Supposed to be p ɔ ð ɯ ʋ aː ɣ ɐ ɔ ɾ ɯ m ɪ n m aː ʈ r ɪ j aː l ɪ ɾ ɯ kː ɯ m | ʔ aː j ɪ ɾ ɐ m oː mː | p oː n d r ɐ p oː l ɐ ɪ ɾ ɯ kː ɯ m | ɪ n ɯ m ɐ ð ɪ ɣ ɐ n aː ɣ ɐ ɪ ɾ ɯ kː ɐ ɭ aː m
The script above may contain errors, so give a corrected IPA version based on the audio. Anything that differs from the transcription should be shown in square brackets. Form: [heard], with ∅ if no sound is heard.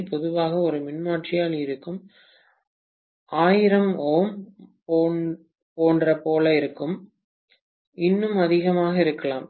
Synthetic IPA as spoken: p ɔ ð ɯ ʋ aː ɣ ɐ ɔ ɾ ɯ m ɪ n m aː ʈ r ɪ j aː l ɪ ɾ ɯ kː ɯ m | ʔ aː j ɪ ɾ ɐ m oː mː | p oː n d r ɐ p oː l ɐ ɪ ɾ ɯ kː ɯ m | ɪ [nː] ɯ m ɐ ð ɪ ɣ ɐ [m] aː ɣ ɐ ɪ ɾ ɯ kː ɐ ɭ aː m